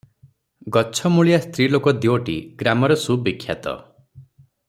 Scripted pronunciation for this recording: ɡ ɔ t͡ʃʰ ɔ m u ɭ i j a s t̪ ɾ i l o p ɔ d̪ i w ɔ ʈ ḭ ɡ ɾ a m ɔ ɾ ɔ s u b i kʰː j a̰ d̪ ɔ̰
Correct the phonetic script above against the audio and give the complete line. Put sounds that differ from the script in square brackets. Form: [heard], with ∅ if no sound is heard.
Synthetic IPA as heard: ɡ ɔ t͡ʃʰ ɔ m u ɭ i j a s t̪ ɾ i l o [k] ɔ d̪ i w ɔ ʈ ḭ ɡ ɾ a m ɔ ɾ ɔ s u b i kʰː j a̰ [t̪] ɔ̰

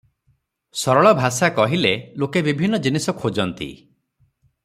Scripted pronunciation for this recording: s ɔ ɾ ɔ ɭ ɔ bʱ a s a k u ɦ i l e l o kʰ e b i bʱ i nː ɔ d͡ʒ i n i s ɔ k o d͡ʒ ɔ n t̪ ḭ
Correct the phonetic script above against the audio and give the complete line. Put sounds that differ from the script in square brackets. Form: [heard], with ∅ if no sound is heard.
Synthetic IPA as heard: s ɔ ɾ ɔ ɭ ɔ bʱ a s a k [ɔ] ɦ i l e l o [k] e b i bʱ i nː ɔ d͡ʒ i n i s ɔ [kʰ] o d͡ʒ ɔ n t̪ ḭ

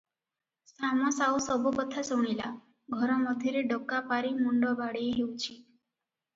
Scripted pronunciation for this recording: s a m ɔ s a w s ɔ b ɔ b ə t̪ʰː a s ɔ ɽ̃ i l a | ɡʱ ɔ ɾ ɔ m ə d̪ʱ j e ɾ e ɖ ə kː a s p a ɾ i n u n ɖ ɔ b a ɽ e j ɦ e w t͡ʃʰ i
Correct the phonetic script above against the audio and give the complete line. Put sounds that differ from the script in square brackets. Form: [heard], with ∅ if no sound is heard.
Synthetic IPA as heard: s a m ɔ s a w s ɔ b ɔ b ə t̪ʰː a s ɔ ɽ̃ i l a | ɡʱ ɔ ɾ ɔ m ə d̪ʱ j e ɾ e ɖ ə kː a [∅] p a ɾ i [m] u [ɳ] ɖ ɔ b a ɽ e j ɦ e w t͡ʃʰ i

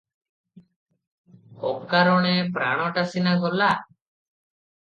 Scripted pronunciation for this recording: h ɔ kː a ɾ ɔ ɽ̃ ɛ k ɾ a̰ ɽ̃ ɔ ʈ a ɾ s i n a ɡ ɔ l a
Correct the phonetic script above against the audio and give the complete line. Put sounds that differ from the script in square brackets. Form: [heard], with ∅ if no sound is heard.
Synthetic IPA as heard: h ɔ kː a ɾ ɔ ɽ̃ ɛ [p] ɾ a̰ ɽ̃ ɔ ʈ a [∅] s i n a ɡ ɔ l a

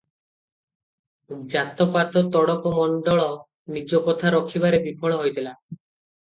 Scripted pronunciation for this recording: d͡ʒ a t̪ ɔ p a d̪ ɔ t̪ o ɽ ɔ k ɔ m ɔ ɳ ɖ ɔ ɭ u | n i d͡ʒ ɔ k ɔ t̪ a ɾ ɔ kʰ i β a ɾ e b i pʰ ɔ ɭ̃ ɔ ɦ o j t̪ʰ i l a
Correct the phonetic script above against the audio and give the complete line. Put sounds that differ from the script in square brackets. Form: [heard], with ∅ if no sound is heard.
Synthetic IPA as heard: d͡ʒ a t̪ ɔ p a [t̪] ɔ t̪ [ɔ] ɽ ɔ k ɔ m ɔ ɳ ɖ ɔ ɭ [ɔ] | n i d͡ʒ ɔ k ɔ [t̪ʰ] a ɾ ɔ kʰ i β a ɾ e b i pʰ ɔ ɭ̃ ɔ ɦ o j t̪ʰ i l a

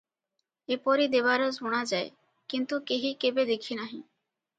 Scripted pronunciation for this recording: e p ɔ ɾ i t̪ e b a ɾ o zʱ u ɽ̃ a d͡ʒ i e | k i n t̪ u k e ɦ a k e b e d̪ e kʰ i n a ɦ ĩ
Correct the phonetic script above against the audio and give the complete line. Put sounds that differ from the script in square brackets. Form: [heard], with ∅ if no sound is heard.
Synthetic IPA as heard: e p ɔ ɾ i [d̪] e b a ɾ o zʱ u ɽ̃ a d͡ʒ [a] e | k i n t̪ u k e ɦ [i] k e b e d̪ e kʰ i n a ɦ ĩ

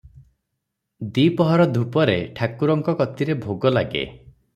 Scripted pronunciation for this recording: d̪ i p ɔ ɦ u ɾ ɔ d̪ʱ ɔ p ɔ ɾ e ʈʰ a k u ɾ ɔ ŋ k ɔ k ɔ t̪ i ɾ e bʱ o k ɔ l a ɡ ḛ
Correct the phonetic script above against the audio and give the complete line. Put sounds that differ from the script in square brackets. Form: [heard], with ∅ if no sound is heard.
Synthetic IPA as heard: d̪ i p ɔ ɦ [ɔ] ɾ ɔ d̪ʱ [u] p ɔ ɾ e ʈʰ a k u ɾ ɔ ŋ k ɔ k ɔ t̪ i ɾ e bʱ o [ɡ] ɔ l a ɡ ḛ

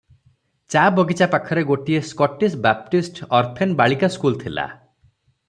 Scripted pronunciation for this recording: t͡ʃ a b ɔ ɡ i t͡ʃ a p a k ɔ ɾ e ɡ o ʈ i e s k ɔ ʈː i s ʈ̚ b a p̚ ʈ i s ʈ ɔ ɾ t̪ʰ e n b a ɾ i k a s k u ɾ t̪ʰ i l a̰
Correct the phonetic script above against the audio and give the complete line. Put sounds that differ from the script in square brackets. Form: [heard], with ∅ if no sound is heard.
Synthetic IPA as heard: t͡ʃ a b ɔ ɡ i t͡ʃ a p a [kʰ] ɔ ɾ e ɡ o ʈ i e s k ɔ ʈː i s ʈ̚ b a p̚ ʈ i s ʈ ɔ ɾ t̪ʰ e n b a [ɭ] i k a s k u [l] t̪ʰ i l a̰

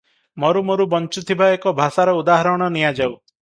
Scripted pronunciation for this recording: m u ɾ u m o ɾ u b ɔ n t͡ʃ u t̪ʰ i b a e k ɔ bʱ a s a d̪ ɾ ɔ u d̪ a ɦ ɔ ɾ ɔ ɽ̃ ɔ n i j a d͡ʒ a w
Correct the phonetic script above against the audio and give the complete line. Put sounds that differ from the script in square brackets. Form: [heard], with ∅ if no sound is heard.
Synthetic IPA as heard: m [ɔ] ɾ u m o ɾ u b ɔ n t͡ʃ u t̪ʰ i b a e k ɔ bʱ a s a [∅] ɾ ɔ u d̪ a ɦ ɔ ɾ ɔ ɽ̃ ɔ n i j a d͡ʒ a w

